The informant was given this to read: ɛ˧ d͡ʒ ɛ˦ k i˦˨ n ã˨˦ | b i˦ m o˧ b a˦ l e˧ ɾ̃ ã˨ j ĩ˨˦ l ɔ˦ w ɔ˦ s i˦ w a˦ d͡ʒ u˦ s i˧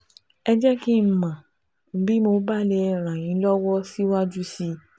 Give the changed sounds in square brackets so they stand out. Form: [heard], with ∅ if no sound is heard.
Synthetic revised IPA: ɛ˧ d͡ʒ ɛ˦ k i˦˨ [m] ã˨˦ | b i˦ m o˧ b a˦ l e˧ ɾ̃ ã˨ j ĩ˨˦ l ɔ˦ w ɔ˦ s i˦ w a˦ d͡ʒ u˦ s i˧